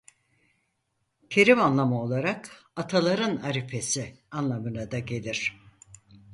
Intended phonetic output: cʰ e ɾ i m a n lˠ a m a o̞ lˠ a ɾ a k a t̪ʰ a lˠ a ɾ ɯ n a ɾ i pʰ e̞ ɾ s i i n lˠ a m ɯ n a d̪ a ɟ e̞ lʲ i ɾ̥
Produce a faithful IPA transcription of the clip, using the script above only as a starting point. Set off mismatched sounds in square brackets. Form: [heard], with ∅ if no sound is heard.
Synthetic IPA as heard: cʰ e ɾ i m a n lˠ a m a o̞ lˠ a ɾ a k a t̪ʰ a lˠ a ɾ ɯ n a ɾ i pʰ e̞ [∅] s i [a] n lˠ a m ɯ n a d̪ a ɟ e̞ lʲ i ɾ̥